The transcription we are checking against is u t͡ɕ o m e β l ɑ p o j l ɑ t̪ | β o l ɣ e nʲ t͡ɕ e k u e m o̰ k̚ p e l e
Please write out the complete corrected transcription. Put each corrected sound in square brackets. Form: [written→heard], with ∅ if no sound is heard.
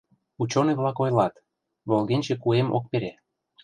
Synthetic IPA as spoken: u t͡ɕ o [m→n] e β l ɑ [p→k] o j l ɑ t̪ | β o l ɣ e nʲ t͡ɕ e k u e m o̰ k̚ p e [l→ɾ] e

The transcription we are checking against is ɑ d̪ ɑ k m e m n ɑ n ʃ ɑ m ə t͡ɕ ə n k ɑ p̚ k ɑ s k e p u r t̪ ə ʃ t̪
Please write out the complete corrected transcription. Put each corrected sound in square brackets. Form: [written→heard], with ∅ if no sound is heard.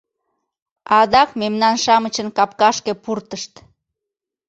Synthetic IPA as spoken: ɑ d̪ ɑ k m e m n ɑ n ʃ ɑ m ə t͡ɕ ə n k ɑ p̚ k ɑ [s→ʃ] k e p u r t̪ ə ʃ t̪

